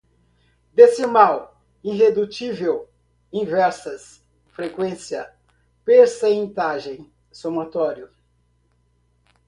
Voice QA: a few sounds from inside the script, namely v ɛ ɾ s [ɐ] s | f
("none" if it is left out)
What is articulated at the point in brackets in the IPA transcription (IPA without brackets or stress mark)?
ɐ